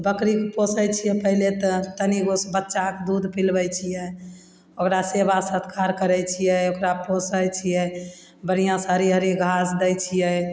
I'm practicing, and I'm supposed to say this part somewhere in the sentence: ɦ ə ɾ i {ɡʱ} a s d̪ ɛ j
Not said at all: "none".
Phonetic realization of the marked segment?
ɡʱ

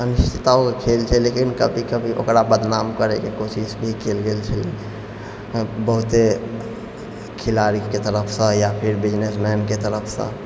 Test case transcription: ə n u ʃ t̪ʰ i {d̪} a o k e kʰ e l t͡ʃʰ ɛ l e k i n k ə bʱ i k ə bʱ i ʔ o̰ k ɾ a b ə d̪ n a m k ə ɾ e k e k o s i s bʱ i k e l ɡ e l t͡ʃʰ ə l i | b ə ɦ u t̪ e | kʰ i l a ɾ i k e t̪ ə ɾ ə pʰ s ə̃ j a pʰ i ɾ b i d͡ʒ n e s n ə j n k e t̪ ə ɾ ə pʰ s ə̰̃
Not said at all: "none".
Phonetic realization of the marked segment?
t̪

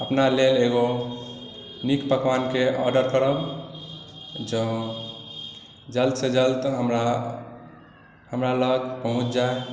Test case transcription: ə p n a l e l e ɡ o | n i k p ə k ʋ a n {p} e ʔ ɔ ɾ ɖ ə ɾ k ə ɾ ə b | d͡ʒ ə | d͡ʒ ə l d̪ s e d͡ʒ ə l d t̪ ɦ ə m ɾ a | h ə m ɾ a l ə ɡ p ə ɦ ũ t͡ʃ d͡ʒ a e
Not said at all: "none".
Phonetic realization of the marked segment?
k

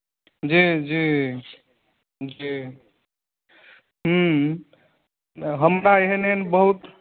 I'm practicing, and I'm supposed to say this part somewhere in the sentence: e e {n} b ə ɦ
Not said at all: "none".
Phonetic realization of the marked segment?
n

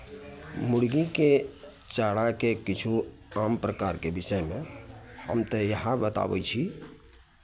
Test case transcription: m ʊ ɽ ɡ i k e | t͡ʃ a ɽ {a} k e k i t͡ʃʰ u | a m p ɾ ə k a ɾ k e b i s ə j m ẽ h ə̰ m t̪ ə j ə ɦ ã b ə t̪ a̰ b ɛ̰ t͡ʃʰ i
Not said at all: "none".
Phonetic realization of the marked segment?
a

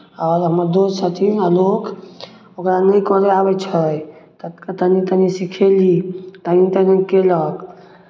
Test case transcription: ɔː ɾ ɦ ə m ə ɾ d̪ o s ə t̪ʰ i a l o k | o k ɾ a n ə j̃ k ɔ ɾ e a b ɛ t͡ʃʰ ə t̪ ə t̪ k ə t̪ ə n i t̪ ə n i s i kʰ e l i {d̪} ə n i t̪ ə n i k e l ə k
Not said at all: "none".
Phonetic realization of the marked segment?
t̪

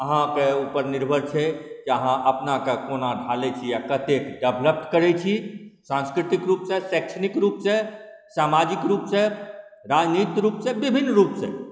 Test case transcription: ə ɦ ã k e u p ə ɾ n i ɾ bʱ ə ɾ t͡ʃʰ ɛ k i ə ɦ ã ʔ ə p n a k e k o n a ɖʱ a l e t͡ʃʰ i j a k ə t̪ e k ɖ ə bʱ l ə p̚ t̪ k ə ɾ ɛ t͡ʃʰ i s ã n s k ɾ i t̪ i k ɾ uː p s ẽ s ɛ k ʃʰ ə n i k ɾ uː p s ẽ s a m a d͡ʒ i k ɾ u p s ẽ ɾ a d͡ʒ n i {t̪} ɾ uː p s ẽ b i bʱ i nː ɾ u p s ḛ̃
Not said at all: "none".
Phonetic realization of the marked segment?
t̪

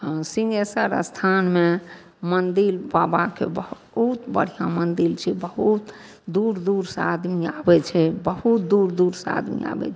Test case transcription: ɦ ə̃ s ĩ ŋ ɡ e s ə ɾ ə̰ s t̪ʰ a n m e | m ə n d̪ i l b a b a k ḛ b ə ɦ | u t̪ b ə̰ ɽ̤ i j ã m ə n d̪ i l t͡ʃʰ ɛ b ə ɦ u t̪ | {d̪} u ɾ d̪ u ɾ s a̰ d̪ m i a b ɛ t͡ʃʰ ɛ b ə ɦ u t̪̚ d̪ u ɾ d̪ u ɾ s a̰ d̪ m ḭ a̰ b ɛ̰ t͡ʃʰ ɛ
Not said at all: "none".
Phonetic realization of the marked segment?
d̪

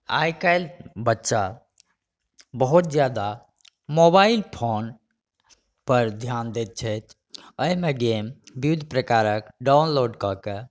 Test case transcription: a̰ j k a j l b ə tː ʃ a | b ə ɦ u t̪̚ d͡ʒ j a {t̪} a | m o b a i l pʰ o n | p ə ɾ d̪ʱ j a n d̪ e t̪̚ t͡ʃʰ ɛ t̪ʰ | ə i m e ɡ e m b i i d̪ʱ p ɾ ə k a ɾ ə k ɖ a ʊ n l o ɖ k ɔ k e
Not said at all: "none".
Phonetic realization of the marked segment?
d̪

